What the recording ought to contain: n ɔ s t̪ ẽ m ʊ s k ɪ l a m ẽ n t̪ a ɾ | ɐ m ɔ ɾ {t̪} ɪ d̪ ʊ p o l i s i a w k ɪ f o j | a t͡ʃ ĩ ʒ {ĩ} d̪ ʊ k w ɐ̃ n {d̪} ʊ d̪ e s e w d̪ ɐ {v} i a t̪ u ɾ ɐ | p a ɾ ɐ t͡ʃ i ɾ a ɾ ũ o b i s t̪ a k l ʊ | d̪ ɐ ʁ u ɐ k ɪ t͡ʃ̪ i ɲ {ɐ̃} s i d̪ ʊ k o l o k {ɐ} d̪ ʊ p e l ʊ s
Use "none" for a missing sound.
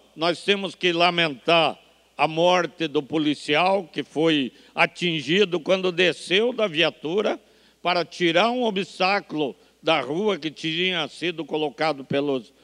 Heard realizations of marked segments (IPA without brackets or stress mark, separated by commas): t̪, i, d̪, v, ɐ, a